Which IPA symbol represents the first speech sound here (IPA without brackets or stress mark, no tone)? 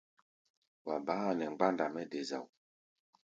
w